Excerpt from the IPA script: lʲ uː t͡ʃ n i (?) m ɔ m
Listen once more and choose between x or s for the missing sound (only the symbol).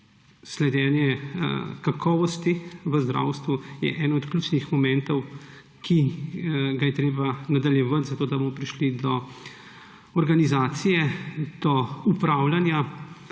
x